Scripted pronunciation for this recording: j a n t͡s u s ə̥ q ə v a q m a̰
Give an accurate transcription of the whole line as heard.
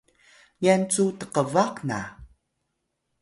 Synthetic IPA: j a n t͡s u t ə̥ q ə v a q n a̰